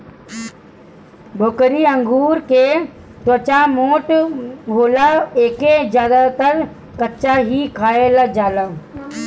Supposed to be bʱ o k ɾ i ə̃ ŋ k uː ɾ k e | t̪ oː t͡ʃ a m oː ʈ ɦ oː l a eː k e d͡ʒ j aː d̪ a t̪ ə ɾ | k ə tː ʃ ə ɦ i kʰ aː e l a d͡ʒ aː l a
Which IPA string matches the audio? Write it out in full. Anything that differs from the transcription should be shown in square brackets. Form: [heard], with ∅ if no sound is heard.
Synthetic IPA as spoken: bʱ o k ɾ i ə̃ ŋ [ɡ] uː ɾ k e | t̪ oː t͡ʃ a m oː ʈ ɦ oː l a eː k e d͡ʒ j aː d̪ a t̪ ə ɾ | k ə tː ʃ [a] ɦ i kʰ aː e l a d͡ʒ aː l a